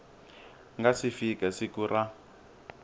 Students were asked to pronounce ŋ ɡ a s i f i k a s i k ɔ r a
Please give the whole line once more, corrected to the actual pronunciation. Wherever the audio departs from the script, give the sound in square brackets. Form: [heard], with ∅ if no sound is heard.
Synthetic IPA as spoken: ŋ ɡ a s i f i k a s i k [u] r a